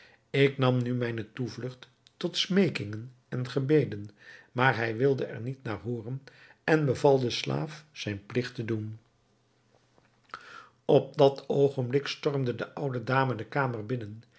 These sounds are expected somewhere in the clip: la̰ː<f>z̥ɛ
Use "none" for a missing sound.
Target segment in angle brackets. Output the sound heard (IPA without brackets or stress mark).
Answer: f